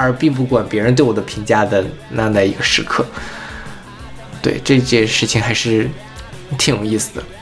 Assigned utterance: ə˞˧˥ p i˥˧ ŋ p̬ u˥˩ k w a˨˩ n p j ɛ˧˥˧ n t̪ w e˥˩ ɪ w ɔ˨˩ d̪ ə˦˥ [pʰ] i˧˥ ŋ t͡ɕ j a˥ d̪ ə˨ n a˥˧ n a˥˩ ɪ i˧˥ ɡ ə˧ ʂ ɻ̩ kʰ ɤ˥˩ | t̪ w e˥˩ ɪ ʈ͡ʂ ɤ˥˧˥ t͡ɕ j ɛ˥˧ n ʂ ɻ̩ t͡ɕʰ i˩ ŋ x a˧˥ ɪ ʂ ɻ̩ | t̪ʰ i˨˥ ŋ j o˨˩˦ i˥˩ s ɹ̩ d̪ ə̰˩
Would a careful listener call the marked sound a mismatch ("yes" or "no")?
no